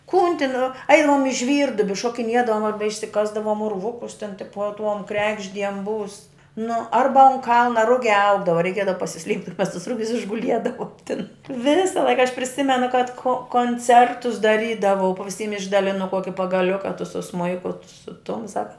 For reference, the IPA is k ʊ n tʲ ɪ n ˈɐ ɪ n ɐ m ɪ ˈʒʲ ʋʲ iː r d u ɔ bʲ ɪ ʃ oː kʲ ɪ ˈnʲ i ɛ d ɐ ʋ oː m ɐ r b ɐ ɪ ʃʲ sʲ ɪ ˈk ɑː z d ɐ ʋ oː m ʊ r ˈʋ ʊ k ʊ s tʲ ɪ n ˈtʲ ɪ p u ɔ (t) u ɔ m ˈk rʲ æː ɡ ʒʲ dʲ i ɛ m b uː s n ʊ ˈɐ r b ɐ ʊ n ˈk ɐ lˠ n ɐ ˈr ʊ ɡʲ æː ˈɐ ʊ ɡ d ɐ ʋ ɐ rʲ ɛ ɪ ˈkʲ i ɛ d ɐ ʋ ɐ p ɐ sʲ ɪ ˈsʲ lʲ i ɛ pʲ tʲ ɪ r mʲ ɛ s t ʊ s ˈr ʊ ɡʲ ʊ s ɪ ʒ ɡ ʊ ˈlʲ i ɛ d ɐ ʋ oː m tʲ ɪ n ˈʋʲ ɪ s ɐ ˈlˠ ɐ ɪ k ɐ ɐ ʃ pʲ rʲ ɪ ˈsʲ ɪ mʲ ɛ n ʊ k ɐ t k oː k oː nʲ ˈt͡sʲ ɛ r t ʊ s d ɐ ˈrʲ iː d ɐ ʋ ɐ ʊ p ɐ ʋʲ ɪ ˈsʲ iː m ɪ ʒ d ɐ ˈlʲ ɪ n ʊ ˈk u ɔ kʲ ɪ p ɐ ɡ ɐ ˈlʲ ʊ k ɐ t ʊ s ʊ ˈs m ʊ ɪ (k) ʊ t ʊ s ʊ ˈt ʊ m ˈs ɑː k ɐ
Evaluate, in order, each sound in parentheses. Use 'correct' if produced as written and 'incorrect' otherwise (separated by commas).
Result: correct, correct